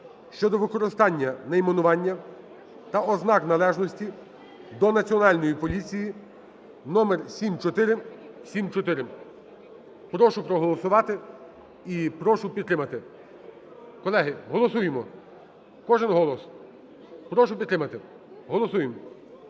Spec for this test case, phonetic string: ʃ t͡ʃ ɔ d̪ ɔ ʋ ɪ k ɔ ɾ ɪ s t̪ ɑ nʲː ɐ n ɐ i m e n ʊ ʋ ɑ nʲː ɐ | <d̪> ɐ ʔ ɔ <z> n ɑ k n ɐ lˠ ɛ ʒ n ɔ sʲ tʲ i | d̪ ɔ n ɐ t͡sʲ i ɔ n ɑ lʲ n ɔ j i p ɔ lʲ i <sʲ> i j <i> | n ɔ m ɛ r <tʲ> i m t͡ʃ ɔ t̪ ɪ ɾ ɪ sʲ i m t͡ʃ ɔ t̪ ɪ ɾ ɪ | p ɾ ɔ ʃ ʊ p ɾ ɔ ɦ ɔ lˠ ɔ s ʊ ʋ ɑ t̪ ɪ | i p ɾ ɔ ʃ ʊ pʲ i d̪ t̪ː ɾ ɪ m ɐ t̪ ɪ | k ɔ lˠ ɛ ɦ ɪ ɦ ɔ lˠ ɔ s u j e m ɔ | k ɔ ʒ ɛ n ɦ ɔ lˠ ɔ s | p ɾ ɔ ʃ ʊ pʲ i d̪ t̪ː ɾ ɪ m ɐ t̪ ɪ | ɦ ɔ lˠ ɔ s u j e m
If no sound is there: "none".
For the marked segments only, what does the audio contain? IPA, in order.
t̪, z, t͡sʲ, i, sʲ

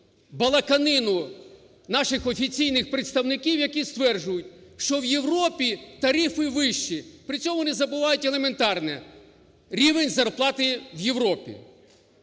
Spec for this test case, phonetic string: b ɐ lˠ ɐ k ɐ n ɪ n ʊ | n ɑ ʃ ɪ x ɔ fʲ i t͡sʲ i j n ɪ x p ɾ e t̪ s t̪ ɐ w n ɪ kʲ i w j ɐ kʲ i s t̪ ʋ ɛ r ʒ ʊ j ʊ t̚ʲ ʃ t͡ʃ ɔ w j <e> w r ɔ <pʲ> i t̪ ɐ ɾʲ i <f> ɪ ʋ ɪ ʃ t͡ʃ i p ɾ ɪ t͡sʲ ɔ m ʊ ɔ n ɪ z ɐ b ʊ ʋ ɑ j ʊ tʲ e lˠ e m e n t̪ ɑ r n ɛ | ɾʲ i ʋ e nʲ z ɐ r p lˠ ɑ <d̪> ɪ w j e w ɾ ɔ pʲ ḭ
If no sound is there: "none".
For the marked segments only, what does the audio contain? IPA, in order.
e, pʲ, f, t̪

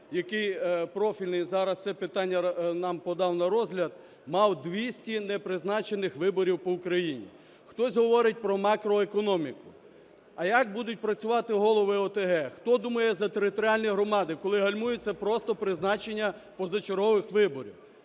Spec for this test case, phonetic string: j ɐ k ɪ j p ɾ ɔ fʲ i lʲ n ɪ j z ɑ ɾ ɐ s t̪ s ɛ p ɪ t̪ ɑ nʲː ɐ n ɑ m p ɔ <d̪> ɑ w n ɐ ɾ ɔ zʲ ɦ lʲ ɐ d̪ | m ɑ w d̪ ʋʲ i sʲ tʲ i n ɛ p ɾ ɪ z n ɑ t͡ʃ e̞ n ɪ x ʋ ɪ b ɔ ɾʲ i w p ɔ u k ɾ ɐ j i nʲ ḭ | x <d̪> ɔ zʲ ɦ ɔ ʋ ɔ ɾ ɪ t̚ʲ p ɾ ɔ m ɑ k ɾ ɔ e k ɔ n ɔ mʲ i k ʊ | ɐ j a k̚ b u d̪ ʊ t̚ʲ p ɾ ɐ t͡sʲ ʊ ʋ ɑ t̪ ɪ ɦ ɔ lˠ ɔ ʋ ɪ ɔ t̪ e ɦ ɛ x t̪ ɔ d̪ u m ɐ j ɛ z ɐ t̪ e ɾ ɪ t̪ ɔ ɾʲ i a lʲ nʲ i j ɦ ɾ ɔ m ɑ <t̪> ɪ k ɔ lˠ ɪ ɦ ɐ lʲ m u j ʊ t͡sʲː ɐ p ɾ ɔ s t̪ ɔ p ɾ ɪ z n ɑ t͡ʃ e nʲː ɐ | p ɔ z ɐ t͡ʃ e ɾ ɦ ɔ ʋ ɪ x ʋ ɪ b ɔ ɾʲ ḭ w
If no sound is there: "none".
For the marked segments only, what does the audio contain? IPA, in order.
d̪, t̪, d̪

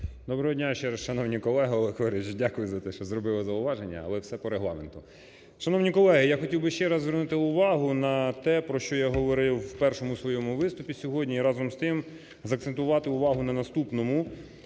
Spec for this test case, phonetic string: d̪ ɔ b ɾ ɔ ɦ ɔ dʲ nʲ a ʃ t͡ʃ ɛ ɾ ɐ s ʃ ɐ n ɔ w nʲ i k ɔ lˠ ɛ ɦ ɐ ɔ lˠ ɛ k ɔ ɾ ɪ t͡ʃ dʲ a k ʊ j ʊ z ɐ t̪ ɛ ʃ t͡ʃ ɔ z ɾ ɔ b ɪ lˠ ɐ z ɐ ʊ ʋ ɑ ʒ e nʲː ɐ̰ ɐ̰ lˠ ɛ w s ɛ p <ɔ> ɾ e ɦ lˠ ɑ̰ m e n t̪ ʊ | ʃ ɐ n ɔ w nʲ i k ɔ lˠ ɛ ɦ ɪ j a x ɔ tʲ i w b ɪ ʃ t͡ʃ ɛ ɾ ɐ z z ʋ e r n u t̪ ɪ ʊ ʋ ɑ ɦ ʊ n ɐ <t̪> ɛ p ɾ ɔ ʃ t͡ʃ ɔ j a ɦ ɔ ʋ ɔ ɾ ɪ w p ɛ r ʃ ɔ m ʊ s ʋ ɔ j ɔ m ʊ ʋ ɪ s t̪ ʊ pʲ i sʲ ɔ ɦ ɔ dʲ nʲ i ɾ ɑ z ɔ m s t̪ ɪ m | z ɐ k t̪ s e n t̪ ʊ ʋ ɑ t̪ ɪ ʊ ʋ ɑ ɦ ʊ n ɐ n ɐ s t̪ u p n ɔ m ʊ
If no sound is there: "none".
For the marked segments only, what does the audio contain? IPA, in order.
ɔ, t̪

